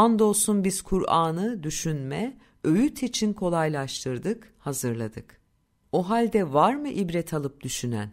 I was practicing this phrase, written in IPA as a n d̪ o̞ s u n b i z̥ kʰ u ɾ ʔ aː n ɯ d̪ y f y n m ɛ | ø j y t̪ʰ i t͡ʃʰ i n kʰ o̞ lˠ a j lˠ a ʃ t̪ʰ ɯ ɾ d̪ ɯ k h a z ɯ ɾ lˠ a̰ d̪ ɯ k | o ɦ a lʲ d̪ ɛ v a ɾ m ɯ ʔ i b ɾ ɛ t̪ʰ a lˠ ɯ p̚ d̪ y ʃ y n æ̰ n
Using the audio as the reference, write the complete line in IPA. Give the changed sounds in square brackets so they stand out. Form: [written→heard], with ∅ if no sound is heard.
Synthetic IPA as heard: a n d̪ o̞ s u n b i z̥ kʰ u ɾ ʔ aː n ɯ d̪ y [f→ʃ] y n m ɛ | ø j y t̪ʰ i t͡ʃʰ i n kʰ o̞ lˠ a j lˠ a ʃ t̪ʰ ɯ ɾ d̪ ɯ k h a z ɯ ɾ lˠ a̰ d̪ ɯ k | o ɦ a lʲ d̪ ɛ v a ɾ m ɯ ʔ i b ɾ ɛ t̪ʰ a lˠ ɯ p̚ d̪ y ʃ y n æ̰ n